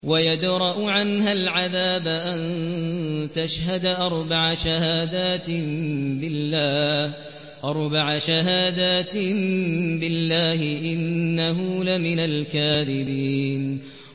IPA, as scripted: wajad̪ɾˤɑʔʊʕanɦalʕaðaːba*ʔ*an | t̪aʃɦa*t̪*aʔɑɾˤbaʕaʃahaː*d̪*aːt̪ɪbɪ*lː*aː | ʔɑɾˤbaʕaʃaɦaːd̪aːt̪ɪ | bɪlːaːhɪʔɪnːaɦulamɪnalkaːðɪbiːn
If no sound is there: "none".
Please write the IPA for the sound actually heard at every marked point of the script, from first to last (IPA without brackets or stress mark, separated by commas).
ʔ, d̪, d̪, lː